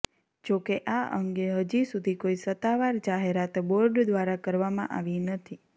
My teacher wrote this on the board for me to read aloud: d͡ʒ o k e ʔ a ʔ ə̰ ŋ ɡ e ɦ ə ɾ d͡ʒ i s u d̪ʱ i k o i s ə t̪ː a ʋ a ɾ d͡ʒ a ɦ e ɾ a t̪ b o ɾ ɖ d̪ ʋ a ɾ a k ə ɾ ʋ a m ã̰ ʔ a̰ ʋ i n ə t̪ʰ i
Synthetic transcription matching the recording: d͡ʒ o k e ʔ a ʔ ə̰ ŋ ɡ e ɦ ə d͡ʒ i s u d̪ʱ i k o i s ə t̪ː a ʋ a ɾ d͡ʒ a ɦ e ɾ a t̪ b o ɾ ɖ d̪ ʋ a ɾ a k ə ɾ ʋ a m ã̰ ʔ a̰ ʋ i n ə t̪ʰ i